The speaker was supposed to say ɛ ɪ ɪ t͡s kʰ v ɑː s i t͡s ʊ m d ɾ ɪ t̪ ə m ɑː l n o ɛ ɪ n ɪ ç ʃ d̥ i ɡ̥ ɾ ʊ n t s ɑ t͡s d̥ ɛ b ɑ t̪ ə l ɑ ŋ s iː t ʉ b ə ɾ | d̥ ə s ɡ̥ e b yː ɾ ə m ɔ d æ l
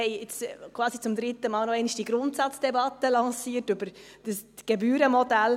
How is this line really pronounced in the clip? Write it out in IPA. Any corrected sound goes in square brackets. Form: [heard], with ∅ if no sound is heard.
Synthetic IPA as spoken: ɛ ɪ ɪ t͡s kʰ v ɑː s i t͡s ʊ m d ɾ ɪ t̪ ə m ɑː l n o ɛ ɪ n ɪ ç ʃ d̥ i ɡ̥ ɾ ʊ n t s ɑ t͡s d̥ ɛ b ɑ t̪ ə l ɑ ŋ s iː t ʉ b ə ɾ | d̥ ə s ɡ̥ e b yː ɾ ə m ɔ d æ l